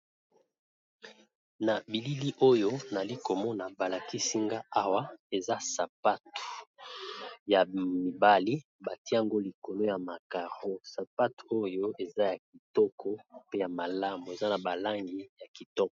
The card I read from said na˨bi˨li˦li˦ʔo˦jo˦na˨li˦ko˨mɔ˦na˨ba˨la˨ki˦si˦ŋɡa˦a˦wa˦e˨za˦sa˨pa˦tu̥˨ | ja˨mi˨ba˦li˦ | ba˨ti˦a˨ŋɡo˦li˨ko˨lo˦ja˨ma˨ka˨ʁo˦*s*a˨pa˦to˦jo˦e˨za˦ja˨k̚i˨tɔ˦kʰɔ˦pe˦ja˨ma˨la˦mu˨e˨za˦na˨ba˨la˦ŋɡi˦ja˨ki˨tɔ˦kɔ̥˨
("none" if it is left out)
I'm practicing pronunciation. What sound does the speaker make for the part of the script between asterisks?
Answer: s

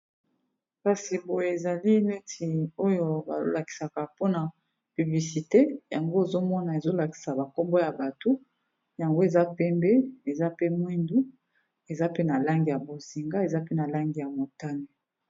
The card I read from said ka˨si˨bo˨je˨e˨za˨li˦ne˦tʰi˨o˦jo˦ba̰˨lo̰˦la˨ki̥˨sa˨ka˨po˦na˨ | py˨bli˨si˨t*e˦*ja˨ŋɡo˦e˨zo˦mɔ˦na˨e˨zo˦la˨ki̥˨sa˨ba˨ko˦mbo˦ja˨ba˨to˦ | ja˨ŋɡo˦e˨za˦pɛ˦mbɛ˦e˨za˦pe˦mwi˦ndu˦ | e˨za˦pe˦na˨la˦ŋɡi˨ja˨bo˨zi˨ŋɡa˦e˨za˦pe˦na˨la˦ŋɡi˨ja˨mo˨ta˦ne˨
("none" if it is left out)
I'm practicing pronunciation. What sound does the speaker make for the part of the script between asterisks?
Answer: e˦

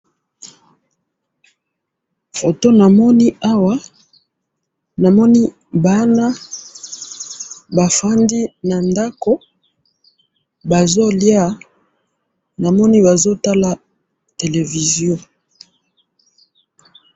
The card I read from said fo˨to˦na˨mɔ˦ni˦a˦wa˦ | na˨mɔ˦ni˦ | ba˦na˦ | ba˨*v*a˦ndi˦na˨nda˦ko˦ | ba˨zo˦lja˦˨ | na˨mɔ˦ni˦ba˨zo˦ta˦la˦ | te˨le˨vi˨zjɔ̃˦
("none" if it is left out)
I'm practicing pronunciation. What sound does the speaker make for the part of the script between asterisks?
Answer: f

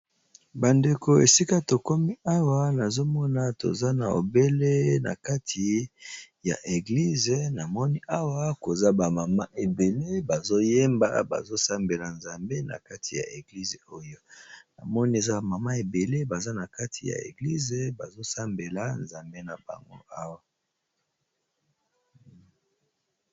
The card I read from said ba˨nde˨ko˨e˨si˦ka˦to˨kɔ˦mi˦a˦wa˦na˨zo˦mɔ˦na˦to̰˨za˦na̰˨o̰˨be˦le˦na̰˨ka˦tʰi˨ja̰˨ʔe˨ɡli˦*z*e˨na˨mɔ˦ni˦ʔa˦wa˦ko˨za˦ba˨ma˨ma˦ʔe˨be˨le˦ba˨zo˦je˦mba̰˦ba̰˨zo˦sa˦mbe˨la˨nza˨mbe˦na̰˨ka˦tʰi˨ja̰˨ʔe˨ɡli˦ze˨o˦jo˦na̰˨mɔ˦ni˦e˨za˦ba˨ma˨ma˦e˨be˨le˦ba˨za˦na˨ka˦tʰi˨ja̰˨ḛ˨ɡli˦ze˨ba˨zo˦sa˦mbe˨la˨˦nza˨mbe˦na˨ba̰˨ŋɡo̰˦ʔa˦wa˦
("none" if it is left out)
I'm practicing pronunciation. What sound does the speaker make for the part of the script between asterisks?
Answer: z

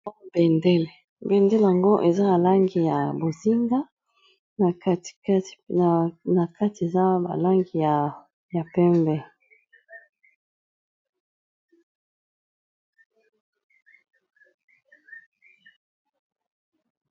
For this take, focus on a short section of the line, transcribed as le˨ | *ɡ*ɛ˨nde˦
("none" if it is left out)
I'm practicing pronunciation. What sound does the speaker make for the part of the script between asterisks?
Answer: b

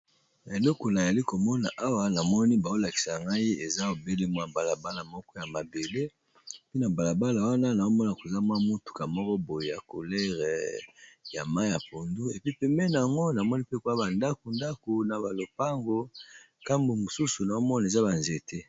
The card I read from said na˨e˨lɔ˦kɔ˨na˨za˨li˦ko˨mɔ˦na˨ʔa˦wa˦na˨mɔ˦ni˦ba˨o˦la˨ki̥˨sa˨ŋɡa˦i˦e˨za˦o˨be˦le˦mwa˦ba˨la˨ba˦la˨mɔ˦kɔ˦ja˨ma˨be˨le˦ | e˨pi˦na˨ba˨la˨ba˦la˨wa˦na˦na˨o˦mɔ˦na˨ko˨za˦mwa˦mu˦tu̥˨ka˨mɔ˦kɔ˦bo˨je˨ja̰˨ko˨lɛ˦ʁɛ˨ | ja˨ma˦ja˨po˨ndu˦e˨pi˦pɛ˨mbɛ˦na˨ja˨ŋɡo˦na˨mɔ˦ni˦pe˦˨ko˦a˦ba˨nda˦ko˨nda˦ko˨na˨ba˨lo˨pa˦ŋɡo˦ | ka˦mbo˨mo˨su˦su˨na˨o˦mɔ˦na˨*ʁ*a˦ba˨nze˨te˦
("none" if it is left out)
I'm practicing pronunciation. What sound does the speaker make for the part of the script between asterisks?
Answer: z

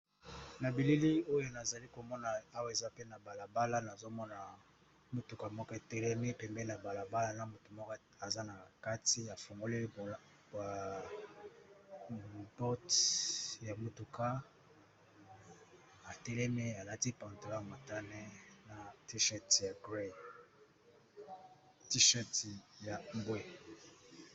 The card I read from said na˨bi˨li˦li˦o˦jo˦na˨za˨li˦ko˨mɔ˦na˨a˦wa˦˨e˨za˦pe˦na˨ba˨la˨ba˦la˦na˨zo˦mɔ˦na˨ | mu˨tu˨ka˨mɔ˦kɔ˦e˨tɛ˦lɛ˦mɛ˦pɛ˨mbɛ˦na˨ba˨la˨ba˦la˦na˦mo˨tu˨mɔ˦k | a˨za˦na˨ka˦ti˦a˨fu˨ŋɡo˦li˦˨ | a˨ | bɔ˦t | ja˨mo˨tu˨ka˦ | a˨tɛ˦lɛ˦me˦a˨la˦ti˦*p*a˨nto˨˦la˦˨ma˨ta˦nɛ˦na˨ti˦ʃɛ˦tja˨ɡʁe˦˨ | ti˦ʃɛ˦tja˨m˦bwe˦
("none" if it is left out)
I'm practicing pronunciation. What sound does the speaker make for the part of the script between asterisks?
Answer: p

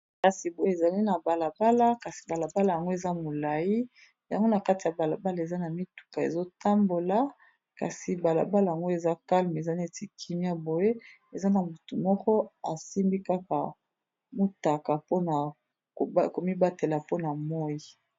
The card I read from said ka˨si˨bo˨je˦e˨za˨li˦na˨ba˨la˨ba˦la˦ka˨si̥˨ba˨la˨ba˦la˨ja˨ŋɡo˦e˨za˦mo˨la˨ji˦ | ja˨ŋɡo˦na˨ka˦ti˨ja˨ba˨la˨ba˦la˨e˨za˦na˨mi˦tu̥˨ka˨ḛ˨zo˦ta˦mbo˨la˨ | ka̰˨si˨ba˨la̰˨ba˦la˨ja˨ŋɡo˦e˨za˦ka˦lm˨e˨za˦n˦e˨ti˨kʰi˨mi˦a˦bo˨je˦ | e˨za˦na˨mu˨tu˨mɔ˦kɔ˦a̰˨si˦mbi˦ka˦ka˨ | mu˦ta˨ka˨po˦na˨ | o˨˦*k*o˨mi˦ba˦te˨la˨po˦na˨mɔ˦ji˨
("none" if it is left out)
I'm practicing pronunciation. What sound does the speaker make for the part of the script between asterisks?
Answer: k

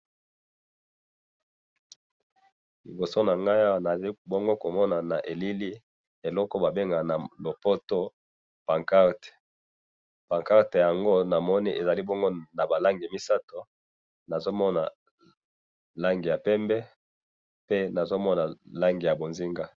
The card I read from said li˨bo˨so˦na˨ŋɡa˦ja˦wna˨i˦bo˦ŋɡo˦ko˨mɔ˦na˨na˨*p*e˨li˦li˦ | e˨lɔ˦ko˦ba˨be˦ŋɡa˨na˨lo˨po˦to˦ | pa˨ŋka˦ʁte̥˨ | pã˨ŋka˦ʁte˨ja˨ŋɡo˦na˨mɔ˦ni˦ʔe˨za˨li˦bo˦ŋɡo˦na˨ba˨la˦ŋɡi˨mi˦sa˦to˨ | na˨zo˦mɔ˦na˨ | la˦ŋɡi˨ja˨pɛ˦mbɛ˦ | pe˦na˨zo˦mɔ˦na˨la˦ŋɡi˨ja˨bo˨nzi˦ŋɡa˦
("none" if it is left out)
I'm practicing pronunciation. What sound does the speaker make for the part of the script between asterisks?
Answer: ʔ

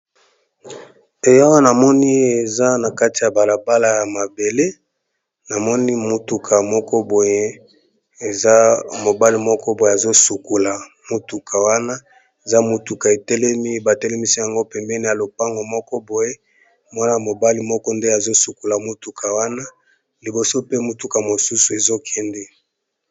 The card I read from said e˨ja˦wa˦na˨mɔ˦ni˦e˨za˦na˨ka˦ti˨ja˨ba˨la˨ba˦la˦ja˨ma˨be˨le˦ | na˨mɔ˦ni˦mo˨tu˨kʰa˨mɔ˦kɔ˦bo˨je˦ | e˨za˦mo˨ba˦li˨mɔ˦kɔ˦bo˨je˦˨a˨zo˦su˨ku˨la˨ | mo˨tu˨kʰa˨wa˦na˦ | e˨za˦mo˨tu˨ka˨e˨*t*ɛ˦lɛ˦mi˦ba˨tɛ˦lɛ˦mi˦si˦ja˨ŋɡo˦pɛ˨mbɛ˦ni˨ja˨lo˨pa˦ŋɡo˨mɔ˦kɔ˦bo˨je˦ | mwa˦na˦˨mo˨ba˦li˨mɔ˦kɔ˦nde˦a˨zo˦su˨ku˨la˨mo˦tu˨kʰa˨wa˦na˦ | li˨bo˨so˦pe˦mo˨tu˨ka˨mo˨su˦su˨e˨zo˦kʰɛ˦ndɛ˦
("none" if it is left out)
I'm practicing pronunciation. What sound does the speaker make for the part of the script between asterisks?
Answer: t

